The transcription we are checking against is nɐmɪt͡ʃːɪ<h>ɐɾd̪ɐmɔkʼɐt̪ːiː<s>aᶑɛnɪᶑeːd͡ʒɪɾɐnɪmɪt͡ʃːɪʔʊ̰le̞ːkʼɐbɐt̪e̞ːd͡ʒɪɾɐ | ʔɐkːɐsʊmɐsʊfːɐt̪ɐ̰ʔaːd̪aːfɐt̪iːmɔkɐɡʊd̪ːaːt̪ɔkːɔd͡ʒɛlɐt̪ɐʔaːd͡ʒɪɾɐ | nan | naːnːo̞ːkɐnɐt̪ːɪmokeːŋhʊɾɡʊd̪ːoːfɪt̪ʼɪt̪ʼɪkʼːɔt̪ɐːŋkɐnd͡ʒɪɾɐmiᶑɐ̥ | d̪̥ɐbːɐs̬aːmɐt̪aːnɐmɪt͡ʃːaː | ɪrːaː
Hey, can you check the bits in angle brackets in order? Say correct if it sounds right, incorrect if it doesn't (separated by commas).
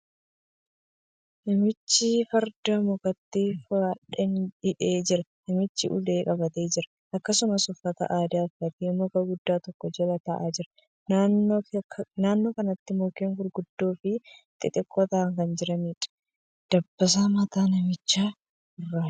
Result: incorrect, incorrect